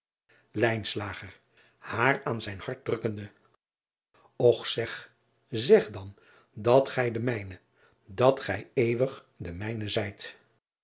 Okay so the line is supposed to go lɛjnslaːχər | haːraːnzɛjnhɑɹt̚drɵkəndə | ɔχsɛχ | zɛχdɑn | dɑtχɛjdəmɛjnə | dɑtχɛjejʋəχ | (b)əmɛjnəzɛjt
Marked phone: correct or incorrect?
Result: incorrect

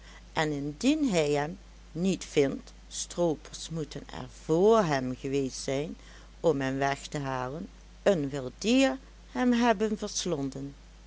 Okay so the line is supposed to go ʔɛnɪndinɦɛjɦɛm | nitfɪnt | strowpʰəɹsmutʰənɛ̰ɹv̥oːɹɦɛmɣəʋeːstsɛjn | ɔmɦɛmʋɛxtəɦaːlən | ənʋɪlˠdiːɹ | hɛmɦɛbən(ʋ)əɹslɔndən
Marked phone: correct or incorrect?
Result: incorrect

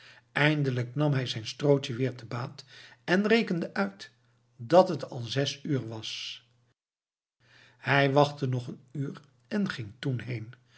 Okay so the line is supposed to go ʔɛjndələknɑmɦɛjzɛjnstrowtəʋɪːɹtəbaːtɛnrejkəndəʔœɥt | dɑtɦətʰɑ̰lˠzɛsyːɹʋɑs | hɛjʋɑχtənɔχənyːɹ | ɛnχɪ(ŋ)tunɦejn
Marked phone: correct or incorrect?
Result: correct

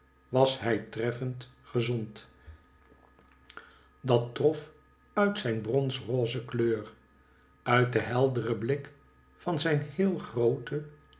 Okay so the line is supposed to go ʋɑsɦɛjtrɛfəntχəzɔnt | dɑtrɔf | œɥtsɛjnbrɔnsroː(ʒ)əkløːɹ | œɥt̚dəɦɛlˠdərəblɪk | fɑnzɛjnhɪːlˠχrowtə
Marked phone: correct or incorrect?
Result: incorrect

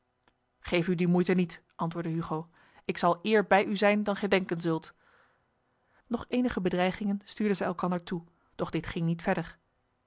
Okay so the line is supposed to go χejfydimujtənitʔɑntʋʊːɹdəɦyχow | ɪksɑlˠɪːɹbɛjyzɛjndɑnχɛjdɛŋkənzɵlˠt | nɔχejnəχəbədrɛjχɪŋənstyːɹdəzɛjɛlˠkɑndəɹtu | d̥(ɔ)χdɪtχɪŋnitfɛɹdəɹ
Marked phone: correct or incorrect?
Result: correct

